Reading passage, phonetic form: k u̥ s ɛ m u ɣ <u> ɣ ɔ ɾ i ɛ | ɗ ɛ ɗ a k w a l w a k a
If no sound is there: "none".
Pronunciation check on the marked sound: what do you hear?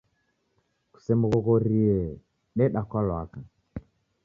ɔ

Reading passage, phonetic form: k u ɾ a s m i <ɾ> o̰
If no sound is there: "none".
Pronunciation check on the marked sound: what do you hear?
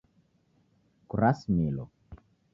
l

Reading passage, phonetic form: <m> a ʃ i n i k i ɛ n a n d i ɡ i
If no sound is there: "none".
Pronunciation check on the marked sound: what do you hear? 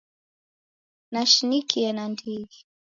n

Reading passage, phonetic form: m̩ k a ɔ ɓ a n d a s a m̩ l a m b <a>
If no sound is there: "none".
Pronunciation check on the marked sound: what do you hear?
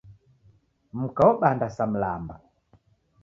a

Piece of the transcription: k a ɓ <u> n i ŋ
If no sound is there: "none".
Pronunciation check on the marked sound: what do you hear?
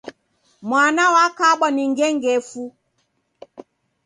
ɔ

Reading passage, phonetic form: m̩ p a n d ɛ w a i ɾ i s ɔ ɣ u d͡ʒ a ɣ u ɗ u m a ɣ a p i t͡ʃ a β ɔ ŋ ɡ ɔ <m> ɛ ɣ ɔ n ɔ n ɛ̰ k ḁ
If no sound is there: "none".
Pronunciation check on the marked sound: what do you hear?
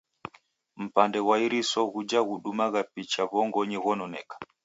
ɲ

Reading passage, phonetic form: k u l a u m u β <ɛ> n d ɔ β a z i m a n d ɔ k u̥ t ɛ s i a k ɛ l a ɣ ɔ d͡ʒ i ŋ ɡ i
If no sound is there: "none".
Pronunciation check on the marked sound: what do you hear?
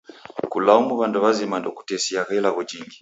a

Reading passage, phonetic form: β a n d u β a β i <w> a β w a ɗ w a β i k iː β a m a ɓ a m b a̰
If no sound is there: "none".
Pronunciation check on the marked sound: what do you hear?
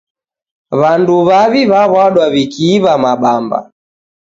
β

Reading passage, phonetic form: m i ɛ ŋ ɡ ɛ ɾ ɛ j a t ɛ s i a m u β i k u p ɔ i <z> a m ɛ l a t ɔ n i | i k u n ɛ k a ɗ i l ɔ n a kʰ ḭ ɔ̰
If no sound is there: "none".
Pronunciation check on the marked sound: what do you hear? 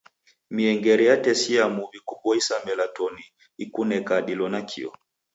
s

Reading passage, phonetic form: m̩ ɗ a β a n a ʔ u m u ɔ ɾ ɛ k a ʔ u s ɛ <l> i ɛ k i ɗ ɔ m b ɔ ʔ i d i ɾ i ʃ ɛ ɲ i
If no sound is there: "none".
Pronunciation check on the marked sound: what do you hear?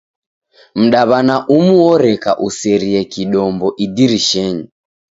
ɾ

